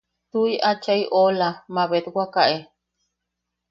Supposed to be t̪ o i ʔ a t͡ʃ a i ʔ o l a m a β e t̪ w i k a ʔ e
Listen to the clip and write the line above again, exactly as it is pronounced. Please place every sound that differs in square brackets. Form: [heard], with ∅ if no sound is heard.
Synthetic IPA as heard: t̪ [u] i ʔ a t͡ʃ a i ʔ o l a m a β e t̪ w [a] k a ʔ e